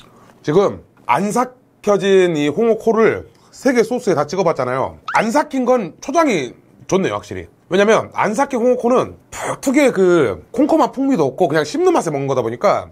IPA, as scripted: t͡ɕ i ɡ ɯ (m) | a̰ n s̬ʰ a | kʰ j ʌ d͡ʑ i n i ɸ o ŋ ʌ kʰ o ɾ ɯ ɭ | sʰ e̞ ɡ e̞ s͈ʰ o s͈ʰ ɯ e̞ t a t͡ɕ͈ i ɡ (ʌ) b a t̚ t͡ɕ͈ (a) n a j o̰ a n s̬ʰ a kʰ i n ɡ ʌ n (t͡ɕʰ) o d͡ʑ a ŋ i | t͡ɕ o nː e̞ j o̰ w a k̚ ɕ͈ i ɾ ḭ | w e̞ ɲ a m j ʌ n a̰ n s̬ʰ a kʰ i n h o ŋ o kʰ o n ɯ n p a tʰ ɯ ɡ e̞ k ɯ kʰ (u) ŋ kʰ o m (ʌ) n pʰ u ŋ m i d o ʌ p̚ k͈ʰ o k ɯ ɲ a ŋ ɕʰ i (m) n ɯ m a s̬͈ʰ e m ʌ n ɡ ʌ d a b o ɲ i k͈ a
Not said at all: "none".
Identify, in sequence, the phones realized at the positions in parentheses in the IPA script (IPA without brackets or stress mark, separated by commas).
m, ʌ, a, t͡ɕʰ, o, a, m